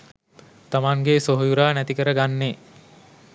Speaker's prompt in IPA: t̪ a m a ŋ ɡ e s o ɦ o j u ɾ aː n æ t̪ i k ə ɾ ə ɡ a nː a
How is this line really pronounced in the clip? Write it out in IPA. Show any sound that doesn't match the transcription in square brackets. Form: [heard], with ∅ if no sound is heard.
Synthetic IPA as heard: t̪ a m a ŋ ɡ e s o ɦ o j u ɾ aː n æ t̪ i k ə ɾ ə ɡ a nː [e]

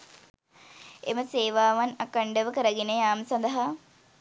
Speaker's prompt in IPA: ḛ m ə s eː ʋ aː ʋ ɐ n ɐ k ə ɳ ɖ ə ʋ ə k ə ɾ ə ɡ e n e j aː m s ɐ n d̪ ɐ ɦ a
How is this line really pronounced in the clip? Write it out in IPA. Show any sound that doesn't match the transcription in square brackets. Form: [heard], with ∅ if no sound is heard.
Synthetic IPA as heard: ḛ m ə s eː ʋ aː ʋ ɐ n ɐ k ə ɳ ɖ ə ʋ ə k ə ɾ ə ɡ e n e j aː m s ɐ n d̪ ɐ ɦ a

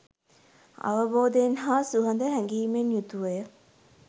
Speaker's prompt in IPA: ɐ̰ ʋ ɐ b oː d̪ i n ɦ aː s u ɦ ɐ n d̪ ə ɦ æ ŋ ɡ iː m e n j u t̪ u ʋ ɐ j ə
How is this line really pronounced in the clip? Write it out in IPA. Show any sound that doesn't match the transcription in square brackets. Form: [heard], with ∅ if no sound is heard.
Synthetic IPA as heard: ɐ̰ ʋ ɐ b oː d̪ [e] n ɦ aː s u ɦ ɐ n d̪ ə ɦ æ ŋ ɡ iː m e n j u t̪ u ʋ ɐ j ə

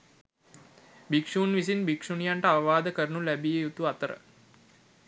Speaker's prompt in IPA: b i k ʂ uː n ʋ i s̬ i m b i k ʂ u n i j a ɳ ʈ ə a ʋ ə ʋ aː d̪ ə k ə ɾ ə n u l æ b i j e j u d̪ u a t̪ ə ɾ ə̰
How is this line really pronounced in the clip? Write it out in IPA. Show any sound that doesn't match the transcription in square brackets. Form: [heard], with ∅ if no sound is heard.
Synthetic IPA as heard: b i k ʂ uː n ʋ i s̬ i [n] b i k ʂ u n i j a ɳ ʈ ə a ʋ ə ʋ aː d̪ ə k ə ɾ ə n u l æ b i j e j u [t̪] u a t̪ ə ɾ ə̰

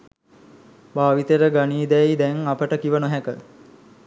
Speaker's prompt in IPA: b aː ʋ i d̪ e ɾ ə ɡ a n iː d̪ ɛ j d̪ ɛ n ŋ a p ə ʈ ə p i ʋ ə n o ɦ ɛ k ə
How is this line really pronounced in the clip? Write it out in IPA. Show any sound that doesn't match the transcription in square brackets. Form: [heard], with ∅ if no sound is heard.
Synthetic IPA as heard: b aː ʋ i [t̪] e ɾ ə ɡ a n iː d̪ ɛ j d̪ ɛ [∅] ŋ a p ə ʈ ə [k] i ʋ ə n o ɦ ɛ k ə

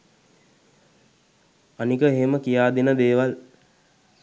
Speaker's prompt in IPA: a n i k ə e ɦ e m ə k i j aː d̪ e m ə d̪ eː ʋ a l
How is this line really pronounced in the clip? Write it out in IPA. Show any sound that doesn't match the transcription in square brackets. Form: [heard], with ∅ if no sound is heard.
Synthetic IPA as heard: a n i k ə e ɦ e m ə k i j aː d̪ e [n] ə d̪ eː ʋ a l

